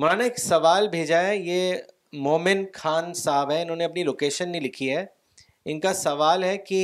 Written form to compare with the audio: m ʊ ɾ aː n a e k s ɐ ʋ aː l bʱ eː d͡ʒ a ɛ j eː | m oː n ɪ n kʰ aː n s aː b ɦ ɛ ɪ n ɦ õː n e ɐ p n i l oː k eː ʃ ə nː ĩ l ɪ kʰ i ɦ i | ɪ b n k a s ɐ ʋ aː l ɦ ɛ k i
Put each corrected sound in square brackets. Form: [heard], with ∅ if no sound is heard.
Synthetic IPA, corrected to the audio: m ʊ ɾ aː n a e k s ɐ ʋ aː l bʱ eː d͡ʒ a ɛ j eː | m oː [m] ɪ n kʰ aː n s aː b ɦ ɛ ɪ n ɦ õː n e ɐ p n i l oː k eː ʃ ə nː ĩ l ɪ kʰ i ɦ [ɛ] | ɪ [∅] n k a s ɐ ʋ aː l ɦ ɛ k i